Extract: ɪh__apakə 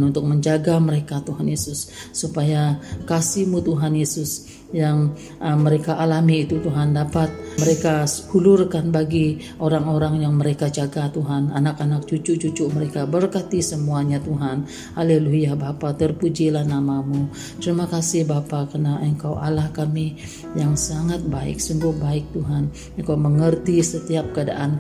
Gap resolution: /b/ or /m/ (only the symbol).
b